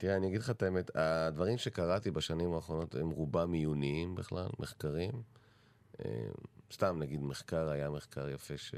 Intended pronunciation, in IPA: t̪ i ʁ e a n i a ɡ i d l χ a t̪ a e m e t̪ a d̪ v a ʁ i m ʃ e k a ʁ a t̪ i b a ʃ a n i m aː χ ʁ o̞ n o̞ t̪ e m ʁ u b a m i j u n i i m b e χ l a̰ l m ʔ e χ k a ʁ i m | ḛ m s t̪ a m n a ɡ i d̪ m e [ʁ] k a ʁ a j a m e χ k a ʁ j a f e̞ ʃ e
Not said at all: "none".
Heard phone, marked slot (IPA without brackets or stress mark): χ